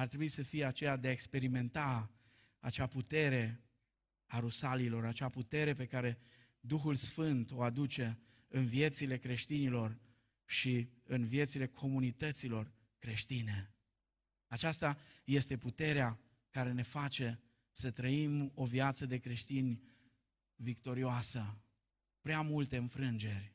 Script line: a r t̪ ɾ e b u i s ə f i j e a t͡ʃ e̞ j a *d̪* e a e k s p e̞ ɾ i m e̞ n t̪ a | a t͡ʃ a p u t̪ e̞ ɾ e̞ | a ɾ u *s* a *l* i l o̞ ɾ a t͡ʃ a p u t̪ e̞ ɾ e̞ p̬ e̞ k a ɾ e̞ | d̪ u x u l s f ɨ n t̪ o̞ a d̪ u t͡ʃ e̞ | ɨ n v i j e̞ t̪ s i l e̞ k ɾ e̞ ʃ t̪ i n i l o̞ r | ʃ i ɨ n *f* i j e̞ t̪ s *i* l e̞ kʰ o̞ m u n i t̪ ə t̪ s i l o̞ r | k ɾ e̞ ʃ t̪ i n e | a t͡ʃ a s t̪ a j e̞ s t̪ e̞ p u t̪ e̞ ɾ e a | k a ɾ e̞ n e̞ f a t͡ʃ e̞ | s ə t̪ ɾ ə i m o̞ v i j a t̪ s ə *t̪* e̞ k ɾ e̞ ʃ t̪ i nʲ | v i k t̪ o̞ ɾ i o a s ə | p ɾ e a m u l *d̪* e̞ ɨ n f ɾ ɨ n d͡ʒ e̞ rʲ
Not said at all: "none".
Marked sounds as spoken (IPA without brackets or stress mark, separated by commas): d̪, s, l, v, i, d̪, t̪